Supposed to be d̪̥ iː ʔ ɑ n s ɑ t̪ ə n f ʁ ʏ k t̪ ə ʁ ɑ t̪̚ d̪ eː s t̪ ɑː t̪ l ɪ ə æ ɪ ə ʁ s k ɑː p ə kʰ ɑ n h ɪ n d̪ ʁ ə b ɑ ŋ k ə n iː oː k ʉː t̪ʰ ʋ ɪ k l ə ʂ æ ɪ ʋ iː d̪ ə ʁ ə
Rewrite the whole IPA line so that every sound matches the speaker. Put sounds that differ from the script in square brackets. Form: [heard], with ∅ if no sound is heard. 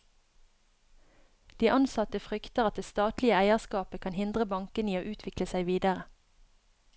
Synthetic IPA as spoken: d̪̥ iː ʔ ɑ n s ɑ t̪ ə [∅] f ʁ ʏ k t̪ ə ʁ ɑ t̪̚ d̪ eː s t̪ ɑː t̪ l ɪ ə æ ɪ ə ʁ s k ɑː p ə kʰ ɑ n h ɪ n d̪ ʁ ə b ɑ ŋ k ə n iː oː [ʔ] ʉː t̪ʰ ʋ ɪ k l ə [s] æ ɪ ʋ iː d̪ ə ʁ ə

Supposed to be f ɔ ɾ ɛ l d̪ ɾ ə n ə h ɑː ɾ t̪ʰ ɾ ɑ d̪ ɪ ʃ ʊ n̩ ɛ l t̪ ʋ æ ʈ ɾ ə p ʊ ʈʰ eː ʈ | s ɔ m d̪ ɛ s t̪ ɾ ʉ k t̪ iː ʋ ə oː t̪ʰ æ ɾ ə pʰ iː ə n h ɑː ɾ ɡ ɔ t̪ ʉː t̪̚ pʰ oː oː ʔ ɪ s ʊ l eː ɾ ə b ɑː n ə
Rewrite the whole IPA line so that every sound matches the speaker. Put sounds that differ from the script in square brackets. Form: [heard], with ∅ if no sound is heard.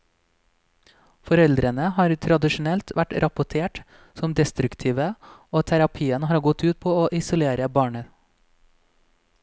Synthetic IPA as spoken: f ɔ ɾ ɛ l d̪ ɾ ə n ə h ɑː ɾ t̪ʰ ɾ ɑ d̪ ɪ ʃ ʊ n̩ ɛ l t̪ ʋ æ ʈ ɾ [ɑ] p ʊ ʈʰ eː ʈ | s ɔ m d̪ ɛ s t̪ ɾ ʉ k [t̪ʰ] iː ʋ ə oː t̪ʰ æ ɾ [ɑ] pʰ iː ə n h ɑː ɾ ɡ ɔ t̪ ʉː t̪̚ pʰ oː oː ʔ ɪ s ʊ l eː ɾ ə b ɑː [ɳ] ə

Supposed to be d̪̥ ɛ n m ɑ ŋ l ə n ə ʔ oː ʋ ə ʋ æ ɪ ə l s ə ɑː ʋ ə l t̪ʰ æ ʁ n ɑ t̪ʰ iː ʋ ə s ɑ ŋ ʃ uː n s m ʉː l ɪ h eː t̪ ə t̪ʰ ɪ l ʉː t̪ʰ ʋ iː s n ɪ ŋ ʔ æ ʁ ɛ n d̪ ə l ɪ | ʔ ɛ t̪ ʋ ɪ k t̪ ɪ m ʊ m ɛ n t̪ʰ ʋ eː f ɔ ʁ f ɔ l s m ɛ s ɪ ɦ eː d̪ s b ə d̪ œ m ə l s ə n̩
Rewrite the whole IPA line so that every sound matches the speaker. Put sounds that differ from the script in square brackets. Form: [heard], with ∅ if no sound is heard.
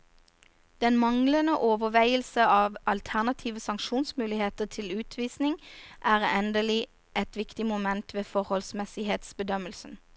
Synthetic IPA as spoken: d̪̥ ɛ n m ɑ ŋ l ə n ə ʔ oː ʋ ə ʋ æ ɪ ə l s ə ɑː ʋ [ɑ] l t̪ʰ æ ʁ n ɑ t̪ʰ iː ʋ ə s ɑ ŋ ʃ uː n s m ʉː l ɪ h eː t̪ ə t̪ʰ ɪ l ʉː t̪ʰ ʋ iː s n ɪ ŋ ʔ [æː] ʁ ɛ n d̪ ə l ɪ | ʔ ɛ t̪ ʋ ɪ k t̪ ɪ m ʊ m ɛ n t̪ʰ ʋ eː f ɔ ʁ [h] ɔ l s m ɛ s ɪ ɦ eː [t̪] s b ə d̪ œ m ə l s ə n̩

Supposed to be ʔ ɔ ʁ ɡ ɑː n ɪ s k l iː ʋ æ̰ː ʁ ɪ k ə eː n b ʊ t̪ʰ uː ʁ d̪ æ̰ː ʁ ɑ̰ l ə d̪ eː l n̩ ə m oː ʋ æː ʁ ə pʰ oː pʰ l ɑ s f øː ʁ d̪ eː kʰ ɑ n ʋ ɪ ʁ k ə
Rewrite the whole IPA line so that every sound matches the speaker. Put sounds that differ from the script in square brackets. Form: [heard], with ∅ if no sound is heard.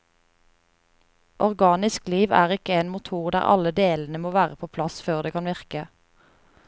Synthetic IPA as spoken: ʔ ɔ ʁ ɡ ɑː n ɪ s k l iː ʋ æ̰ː ʁ ɪ k ə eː n [m] ʊ t̪ʰ uː ʁ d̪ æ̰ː ʁ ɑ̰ l ə d̪ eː l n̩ ə m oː ʋ æː ʁ ə pʰ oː pʰ l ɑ s f øː ʁ d̪ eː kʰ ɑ n ʋ ɪ ʁ k ə

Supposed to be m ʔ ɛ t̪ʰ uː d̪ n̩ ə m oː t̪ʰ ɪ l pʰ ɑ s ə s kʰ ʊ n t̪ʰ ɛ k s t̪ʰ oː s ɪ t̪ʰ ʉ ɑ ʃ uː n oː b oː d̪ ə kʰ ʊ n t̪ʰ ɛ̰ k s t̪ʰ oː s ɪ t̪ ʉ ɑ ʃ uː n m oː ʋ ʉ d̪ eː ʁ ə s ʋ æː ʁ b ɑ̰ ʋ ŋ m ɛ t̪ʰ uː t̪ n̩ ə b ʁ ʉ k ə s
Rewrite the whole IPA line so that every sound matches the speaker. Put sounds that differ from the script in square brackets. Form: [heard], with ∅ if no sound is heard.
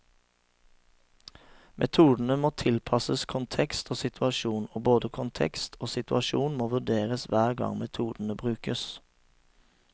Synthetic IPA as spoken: m ʔ ɛ t̪ʰ uː d̪ n̩ ə m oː t̪ʰ ɪ l pʰ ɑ s ə s kʰ ʊ n t̪ʰ ɛ k s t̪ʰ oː s ɪ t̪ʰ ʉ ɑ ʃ uː n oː b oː d̪ ə kʰ ʊ n t̪ʰ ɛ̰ k s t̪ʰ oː s ɪ t̪ ʉ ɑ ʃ uː n m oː ʋ ʉ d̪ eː ʁ ə s ʋ æː ʁ [ɡ] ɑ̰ [∅] ŋ m ɛ t̪ʰ uː [d̪] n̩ ə b ʁ [ʉː] k ə s

